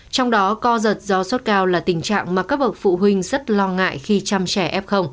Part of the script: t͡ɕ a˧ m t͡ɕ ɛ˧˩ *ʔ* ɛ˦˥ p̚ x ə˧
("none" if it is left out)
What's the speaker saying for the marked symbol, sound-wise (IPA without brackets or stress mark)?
ʔ